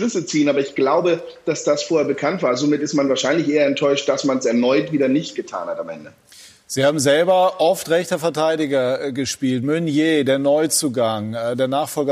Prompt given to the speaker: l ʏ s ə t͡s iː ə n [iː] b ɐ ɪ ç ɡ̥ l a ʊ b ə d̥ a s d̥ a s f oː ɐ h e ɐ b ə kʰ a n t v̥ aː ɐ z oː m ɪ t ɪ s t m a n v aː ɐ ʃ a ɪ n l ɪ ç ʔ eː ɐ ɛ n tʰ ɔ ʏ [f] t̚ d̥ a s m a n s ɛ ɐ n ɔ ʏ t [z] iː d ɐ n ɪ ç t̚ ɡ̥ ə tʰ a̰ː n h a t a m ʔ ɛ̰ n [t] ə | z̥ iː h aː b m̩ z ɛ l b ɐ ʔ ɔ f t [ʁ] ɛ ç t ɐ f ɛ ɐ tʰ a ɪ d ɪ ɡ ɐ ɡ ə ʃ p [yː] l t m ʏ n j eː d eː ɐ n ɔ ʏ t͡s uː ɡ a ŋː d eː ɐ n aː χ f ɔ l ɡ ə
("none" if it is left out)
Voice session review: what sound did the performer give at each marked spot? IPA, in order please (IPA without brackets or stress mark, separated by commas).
aː, ʃ, v, d, ʁ, iː